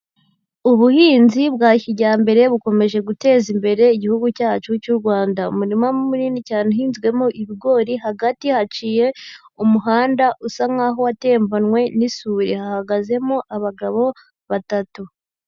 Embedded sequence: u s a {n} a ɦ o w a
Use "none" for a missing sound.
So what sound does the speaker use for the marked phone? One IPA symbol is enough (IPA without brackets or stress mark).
ŋ